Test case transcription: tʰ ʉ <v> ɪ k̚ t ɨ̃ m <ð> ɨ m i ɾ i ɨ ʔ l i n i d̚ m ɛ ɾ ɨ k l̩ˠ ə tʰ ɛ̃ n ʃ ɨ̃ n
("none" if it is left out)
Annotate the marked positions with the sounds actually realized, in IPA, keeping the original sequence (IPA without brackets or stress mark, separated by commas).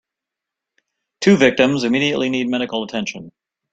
v, z